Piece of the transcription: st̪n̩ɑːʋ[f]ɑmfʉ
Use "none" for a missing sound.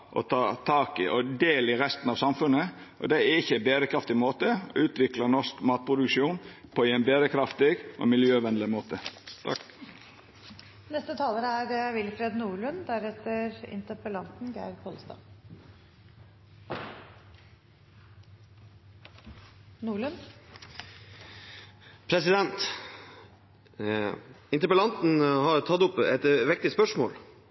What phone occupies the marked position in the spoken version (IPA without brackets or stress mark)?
s